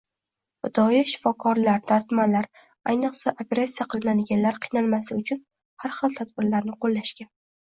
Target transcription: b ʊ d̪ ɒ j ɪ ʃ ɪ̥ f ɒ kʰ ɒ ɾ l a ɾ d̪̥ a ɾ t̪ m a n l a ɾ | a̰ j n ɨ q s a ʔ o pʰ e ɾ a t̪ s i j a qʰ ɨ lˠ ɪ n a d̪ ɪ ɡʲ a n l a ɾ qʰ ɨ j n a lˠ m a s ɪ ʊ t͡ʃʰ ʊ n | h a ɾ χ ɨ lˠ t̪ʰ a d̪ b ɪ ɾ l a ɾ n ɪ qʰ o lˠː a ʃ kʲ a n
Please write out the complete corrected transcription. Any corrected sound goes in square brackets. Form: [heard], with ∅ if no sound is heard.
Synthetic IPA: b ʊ d̪ ɒ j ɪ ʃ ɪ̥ f ɒ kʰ ɒ ɾ l a ɾ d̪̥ a ɾ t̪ m a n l a ɾ | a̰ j n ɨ q s a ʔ o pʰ e ɾ a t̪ s i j a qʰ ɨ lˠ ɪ n a d̪ ɪ ɡʲ a n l a ɾ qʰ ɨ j n a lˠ m a s ɪ ʊ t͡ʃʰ ʊ n | h a ɾ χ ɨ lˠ t̪ʰ a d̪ b ɪ ɾ l a ɾ n ɪ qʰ o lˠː a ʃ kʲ a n